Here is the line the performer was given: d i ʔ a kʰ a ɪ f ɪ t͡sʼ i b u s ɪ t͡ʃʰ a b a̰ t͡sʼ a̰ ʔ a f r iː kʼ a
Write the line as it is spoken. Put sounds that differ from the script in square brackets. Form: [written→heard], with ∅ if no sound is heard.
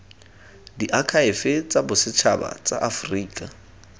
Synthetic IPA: d i ʔ a kʰ a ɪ f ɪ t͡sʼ [i→a] b [u→ʊ] s ɪ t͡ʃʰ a b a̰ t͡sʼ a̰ ʔ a f r iː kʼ a

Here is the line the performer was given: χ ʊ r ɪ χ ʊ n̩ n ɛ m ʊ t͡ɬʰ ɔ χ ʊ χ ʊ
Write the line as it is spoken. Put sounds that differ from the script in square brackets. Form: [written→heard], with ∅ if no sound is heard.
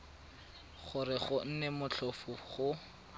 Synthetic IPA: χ ʊ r ɪ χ ʊ n̩ n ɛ m ʊ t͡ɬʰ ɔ [χ→f] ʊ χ ʊ

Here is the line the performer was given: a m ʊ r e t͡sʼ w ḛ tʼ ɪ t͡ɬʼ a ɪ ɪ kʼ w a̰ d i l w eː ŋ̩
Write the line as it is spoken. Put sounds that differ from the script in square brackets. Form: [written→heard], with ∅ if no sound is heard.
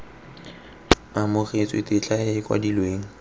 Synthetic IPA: a m ʊ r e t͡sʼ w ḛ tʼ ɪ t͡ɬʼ a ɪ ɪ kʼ w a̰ d i l w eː ŋ̩

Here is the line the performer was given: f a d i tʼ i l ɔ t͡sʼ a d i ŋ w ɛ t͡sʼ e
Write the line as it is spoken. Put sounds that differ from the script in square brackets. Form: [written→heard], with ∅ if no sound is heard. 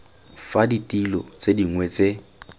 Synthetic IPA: f a d i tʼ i l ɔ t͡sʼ [a→e] d i ŋ w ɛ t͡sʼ e

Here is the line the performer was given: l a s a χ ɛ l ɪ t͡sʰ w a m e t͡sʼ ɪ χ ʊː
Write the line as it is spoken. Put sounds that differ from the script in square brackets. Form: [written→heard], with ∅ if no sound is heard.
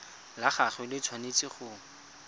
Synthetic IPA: l a [s→χ] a χ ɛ l ɪ t͡sʰ w a [m→n] e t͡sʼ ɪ χ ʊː

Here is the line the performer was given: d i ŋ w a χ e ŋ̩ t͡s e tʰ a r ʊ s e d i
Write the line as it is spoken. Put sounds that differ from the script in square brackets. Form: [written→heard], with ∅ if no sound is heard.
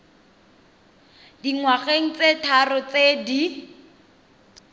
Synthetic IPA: d i ŋ w a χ e ŋ̩ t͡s e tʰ a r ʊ [s→t͡s] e d i

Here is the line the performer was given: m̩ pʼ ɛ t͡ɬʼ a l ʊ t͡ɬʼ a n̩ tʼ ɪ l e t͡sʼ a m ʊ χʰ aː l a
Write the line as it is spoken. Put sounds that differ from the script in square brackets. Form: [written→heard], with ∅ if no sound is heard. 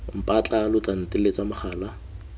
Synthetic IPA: m̩ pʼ [ɛ→a] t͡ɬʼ a l ʊ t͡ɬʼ a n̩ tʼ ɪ l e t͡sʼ a m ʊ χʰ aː l a

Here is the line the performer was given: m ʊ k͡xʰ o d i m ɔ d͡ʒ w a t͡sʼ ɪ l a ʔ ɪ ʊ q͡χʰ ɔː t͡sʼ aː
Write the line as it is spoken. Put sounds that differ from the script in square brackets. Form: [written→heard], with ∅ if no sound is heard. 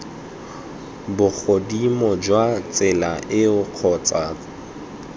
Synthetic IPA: [m→b] ʊ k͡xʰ o d i m ɔ d͡ʒ w a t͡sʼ ɪ l a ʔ ɪ ʊ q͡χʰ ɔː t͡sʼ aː

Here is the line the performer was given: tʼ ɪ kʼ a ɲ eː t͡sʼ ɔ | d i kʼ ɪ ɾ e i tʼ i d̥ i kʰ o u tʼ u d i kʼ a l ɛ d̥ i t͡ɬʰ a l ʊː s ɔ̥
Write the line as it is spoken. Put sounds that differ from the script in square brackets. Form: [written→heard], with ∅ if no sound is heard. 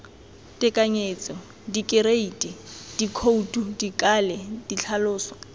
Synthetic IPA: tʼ ɪ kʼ a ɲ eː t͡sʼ ɔ | d i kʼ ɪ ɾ e i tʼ i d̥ i kʰ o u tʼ u d i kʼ a l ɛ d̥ i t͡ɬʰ a l ʊː s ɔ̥

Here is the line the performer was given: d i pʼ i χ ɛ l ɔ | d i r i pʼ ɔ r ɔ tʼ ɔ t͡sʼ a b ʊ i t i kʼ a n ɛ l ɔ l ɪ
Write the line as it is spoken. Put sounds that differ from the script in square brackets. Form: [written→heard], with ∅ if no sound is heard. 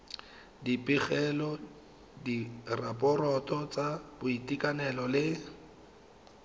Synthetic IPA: d i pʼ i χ ɛ l ɔ | d i r [i→a] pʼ ɔ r ɔ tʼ ɔ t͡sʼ a b ʊ i t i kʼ a n ɛ l ɔ l ɪ

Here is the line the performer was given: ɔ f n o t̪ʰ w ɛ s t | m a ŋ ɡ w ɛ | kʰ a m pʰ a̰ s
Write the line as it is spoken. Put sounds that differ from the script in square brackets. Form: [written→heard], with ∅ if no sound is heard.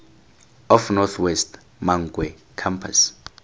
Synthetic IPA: ɔ f n [o→ɔ] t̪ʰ w ɛ s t | m a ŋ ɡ w ɛ | kʰ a m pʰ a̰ s

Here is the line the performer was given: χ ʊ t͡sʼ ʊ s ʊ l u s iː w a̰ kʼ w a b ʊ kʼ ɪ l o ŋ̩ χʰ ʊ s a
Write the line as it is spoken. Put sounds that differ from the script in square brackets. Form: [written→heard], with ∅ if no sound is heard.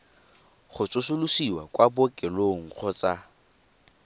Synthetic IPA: χ ʊ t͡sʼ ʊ s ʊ l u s [iː→i] w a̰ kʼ w a b ʊ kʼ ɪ l o ŋ̩ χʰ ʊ [s→t͡s] a

